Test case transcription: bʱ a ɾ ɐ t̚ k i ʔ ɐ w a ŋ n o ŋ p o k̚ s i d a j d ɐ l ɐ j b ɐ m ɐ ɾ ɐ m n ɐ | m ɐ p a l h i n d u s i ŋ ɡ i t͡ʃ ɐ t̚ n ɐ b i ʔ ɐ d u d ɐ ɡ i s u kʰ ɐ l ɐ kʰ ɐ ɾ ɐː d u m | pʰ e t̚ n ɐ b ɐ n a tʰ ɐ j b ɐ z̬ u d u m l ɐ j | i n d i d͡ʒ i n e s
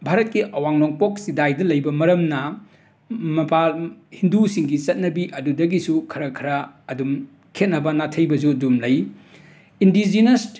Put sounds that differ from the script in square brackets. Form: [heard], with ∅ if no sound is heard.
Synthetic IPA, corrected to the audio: bʱ a ɾ ɐ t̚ k i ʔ ɐ w a ŋ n o ŋ p o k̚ s i d a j d ɐ l ɐ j b ɐ m ɐ ɾ ɐ m n ɐ | m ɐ p a l h i n d u s i ŋ ɡ i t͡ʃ ɐ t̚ n ɐ b i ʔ ɐ d u d ɐ ɡ i s u kʰ ɐ [ɾ] ɐ kʰ ɐ ɾ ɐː d u m | [kʰ] e t̚ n ɐ b ɐ n a tʰ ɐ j b ɐ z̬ u d u m l ɐ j | i n d i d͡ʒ i n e s